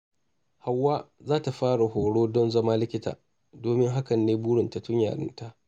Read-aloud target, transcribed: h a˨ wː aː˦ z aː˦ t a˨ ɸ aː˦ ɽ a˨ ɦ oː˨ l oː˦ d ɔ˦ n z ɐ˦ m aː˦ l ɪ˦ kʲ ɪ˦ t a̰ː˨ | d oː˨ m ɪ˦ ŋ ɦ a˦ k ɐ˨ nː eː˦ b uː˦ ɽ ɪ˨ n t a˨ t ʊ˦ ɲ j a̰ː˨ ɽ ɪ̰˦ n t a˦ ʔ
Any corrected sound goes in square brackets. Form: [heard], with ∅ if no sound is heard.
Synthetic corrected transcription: h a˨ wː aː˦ z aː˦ t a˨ ɸ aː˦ ɽ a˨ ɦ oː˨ [ɽ] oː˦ d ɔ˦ n z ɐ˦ m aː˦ l ɪ˦ kʲ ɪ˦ t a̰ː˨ | d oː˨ m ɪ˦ ŋ ɦ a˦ k ɐ˨ nː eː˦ b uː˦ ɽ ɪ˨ n t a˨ t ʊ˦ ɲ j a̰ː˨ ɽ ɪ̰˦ n t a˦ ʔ